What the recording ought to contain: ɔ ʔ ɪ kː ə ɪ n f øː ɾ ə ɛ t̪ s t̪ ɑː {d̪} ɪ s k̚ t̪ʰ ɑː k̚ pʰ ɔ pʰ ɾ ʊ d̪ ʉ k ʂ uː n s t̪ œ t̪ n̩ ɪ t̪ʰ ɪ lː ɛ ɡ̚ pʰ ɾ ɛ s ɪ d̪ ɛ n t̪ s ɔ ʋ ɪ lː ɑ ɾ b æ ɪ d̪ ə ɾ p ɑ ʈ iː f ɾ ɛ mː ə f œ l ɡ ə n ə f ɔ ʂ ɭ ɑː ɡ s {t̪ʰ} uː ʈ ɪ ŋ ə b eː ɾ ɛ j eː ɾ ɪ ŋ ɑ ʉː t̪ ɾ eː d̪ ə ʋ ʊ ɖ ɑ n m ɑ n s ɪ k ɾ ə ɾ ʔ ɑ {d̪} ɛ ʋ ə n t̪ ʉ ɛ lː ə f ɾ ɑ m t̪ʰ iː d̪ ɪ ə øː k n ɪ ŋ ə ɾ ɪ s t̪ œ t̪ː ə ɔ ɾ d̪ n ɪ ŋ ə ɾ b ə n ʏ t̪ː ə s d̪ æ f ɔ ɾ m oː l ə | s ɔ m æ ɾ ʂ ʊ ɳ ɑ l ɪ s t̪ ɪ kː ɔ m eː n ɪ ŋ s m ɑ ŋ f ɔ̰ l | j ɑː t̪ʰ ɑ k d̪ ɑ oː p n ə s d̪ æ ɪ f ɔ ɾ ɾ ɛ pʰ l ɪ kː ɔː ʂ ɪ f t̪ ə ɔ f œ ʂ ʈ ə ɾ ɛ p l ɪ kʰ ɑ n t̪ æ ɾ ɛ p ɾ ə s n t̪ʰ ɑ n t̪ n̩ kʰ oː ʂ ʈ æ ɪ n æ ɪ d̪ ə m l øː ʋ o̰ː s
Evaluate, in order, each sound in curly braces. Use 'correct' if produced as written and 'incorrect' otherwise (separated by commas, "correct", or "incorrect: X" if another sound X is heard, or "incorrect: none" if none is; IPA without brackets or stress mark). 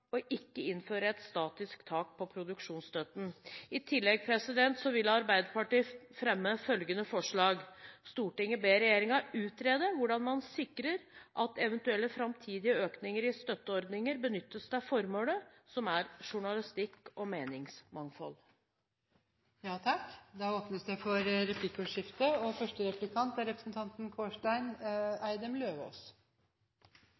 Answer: incorrect: t̪, incorrect: t̪, incorrect: t̪